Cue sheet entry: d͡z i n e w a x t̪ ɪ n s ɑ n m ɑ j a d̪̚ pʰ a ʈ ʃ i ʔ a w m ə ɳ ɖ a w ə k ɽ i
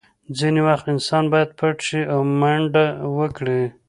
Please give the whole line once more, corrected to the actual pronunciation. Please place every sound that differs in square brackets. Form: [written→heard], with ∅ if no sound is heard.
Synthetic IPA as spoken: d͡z i n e w a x t̪ ɪ n s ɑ n [m→b] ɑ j a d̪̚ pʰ a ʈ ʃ i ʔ a w m [ə→a] ɳ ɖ a w ə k ɽ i